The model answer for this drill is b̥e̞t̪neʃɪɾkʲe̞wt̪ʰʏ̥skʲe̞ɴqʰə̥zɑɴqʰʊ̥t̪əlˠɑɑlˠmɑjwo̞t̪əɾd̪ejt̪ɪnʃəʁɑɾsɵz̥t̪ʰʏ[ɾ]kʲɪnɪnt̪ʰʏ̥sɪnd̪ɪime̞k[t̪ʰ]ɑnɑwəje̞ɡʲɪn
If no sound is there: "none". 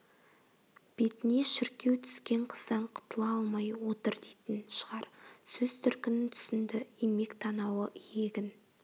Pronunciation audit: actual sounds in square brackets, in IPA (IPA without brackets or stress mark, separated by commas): ɾ, t̪ʰ